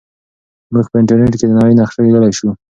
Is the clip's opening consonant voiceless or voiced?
voiced